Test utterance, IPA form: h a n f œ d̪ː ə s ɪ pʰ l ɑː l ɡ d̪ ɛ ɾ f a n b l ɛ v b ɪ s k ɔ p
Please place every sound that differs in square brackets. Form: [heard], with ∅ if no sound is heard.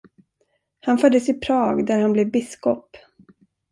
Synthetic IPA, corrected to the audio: h a n f œ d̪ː ə s ɪ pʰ [ɾ] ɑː [∅] ɡ d̪ [æ] ɾ [h] a n b l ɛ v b ɪ s k ɔ p